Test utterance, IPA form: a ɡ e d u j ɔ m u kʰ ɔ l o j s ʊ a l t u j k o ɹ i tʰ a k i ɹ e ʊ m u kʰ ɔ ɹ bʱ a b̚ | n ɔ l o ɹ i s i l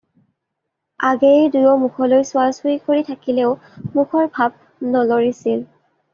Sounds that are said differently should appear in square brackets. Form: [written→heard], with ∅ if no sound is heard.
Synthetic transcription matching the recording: a ɡ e d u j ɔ m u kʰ ɔ l o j s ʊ a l [t→s] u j k o ɹ i tʰ a k i [ɹ→l] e ʊ m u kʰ ɔ ɹ bʱ a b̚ | n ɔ l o ɹ i s i l